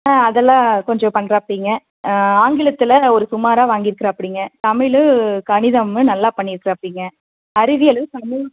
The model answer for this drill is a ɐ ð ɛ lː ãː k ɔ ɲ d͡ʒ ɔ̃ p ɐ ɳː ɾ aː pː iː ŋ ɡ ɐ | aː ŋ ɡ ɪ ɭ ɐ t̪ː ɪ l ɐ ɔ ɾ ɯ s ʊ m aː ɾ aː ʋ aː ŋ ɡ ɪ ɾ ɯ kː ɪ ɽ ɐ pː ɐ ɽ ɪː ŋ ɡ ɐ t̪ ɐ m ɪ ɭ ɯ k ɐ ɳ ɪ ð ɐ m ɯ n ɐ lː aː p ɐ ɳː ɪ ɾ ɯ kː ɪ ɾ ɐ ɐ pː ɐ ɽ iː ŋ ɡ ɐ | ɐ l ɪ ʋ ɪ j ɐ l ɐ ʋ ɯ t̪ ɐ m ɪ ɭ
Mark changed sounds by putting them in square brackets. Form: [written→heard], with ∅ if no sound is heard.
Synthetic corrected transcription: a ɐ ð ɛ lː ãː k ɔ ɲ d͡ʒ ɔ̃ p ɐ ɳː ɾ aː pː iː ŋ ɡ ɐ | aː ŋ ɡ ɪ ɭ ɐ t̪ː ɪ l ɐ ɔ ɾ ɯ s ʊ m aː ɾ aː ʋ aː ŋ ɡ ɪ ɾ ɯ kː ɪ [ɽ→ɾ] ɐ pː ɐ ɽ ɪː ŋ ɡ ɐ t̪ ɐ m ɪ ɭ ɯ k ɐ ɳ ɪ ð ɐ m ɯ n ɐ lː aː p ɐ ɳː ɪ ɾ ɯ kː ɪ ɾ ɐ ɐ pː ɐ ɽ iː ŋ ɡ ɐ | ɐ [l→ɾ] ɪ ʋ ɪ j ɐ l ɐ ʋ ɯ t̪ ɐ m ɪ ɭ